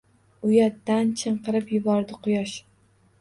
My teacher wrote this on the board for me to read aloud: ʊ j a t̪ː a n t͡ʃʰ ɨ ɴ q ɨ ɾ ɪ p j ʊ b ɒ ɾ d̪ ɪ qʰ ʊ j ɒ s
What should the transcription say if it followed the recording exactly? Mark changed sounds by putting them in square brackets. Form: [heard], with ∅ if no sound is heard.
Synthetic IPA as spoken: ʊ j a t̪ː a n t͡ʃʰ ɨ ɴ q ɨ ɾ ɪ p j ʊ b ɒ ɾ d̪ ɪ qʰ ʊ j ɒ [ʃ]